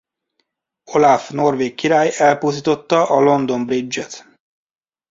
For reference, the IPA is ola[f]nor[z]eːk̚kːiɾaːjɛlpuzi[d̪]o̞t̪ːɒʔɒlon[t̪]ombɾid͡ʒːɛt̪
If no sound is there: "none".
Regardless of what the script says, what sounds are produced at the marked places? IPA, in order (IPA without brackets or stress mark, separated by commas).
f, v, t̪, d̪